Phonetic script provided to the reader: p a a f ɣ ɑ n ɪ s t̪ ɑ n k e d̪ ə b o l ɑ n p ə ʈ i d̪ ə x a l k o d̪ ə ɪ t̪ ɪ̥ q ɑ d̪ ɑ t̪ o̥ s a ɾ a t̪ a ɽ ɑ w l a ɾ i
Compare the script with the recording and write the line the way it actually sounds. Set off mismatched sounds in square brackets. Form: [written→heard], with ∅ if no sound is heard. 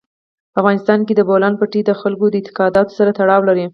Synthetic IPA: p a a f ɣ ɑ n ɪ s t̪ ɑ n k e d̪ ə b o l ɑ n p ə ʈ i d̪ ə x a l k o d̪ ə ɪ t̪ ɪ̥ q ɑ d̪ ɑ t̪ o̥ s a ɾ a t̪ a ɽ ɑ w l a ɾ i